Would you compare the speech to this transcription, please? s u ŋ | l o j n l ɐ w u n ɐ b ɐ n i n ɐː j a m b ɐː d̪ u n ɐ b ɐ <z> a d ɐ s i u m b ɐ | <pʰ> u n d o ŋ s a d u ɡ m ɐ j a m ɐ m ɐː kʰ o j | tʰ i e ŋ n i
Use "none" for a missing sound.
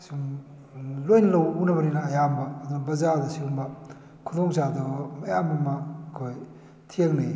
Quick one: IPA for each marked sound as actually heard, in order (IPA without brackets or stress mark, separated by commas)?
z, kʰ